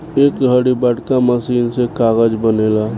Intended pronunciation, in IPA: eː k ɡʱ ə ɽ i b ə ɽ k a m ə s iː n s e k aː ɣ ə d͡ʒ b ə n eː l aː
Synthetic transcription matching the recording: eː k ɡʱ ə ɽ i b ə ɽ k a m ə s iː n s e k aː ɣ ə d͡ʒ b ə n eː l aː

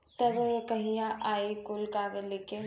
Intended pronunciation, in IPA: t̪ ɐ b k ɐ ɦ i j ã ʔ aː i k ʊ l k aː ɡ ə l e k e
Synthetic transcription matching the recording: t̪ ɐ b k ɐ ɦ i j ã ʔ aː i k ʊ l k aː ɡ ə l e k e

